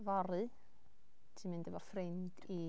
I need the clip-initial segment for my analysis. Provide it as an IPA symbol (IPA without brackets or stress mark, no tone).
v